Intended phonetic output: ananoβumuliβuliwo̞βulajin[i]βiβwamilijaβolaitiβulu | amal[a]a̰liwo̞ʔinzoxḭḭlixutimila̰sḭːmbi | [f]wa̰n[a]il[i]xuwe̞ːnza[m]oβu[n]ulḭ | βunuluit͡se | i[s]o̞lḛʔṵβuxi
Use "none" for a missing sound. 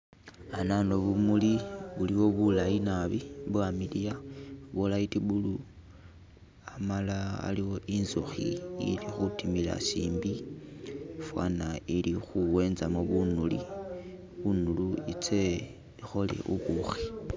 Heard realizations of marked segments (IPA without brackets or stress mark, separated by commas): a, a, f, a, i, m, n, x